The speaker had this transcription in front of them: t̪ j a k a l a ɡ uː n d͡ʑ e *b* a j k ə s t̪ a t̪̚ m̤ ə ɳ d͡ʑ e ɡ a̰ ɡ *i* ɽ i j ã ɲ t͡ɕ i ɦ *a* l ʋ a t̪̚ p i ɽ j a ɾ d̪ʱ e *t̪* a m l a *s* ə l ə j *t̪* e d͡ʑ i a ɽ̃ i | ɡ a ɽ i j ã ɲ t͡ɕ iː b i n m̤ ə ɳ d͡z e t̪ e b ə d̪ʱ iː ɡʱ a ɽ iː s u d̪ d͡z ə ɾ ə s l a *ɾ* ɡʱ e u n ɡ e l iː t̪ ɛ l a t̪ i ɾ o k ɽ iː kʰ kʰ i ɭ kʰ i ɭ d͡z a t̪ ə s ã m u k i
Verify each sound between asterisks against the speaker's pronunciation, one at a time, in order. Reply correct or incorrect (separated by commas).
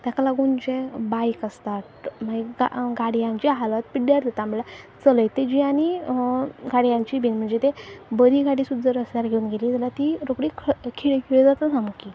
correct, incorrect, correct, correct, incorrect, correct, correct